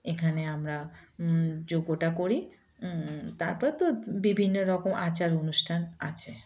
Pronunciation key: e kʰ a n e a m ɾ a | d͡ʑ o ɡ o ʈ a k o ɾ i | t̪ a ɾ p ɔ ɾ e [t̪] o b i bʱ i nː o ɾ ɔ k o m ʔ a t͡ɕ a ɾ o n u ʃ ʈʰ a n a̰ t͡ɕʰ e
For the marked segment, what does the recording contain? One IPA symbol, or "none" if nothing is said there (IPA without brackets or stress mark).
t̪